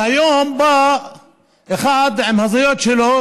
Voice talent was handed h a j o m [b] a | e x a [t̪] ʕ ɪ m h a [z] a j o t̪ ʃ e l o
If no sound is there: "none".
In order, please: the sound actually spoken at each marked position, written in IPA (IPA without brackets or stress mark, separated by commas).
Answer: b, d̪, z